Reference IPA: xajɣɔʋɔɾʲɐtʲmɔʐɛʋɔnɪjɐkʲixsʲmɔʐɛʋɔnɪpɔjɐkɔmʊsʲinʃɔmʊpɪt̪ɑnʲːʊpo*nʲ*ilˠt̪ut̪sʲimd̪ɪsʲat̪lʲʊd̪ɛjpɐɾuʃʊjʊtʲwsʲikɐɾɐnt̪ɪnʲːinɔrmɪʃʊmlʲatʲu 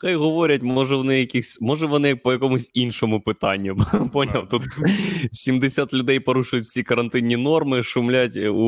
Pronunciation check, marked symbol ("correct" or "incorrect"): correct